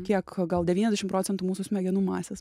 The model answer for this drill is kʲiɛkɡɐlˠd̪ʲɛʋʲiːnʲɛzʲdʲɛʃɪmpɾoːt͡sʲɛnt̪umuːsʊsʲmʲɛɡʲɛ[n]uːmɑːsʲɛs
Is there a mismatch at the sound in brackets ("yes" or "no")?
no